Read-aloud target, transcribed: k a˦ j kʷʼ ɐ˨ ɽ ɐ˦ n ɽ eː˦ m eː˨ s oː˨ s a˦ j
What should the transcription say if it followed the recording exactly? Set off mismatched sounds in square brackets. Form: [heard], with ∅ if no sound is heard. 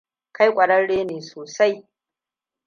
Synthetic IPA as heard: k a˦ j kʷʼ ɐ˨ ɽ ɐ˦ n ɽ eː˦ [n] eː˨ s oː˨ s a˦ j